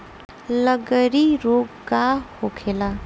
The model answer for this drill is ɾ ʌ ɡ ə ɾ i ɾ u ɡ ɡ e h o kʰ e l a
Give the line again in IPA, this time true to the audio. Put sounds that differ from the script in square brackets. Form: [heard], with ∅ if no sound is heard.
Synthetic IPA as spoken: [l] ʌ ɡ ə ɾ i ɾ [o] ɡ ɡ [a] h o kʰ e l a